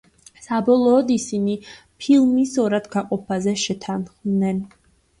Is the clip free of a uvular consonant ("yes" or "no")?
no